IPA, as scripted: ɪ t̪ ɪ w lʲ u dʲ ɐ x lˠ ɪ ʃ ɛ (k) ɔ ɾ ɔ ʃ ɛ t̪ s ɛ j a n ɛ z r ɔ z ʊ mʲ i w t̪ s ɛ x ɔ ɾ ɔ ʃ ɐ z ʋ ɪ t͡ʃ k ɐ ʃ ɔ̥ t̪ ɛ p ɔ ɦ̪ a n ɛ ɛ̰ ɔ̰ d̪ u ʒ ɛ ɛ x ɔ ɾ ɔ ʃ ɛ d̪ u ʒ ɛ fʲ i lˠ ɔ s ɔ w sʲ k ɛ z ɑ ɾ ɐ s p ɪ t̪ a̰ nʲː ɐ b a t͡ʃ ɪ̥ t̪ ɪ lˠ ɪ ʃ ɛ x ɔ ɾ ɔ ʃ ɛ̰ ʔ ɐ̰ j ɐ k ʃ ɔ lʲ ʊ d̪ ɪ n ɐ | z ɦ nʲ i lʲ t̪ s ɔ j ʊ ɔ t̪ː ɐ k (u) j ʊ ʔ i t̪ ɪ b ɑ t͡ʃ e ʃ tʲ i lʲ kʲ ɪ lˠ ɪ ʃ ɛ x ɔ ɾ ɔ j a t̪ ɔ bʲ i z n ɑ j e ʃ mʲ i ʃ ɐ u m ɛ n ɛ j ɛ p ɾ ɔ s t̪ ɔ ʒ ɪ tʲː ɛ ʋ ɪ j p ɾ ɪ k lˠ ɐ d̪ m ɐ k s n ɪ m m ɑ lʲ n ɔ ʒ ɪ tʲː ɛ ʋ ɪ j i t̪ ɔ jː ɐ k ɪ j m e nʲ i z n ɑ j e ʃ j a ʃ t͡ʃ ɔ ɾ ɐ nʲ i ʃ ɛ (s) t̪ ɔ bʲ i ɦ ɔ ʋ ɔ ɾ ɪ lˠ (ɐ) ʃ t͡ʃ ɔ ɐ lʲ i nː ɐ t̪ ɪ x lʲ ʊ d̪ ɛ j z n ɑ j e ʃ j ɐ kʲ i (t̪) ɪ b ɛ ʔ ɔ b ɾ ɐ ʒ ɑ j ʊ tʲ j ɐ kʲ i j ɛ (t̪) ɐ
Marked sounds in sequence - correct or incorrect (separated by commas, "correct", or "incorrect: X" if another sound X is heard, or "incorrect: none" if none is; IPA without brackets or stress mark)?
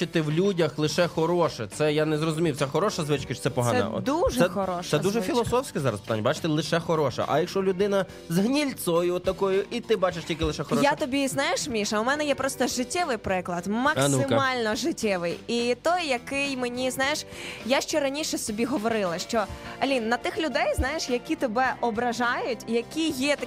incorrect: x, incorrect: ɔ, correct, correct, correct, correct